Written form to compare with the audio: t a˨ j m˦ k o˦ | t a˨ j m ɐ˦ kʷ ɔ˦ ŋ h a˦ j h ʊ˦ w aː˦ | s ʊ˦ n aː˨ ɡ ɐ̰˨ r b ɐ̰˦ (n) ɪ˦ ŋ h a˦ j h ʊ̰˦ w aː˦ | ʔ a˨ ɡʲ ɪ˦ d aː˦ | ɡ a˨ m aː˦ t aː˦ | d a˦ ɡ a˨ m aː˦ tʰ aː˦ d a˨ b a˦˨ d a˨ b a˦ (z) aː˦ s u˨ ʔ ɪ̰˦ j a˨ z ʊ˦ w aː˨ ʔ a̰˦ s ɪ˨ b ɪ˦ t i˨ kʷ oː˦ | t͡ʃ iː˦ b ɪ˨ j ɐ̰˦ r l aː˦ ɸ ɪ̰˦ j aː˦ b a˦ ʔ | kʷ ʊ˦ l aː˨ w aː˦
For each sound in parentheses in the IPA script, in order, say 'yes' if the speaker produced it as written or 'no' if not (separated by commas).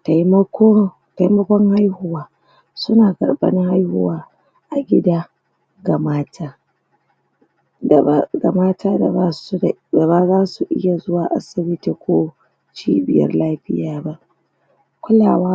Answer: yes, yes